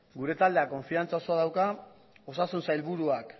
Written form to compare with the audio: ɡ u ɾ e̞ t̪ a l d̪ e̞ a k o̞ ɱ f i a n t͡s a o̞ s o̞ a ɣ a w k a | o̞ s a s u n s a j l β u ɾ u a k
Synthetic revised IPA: ɡ u ɾ e̞ t̪ a l d̪ e̞ a k o̞ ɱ f i a n t͡s a o̞ s o̞ a ð a w k a | o̞ s a s u n s a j l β u ɾ u a k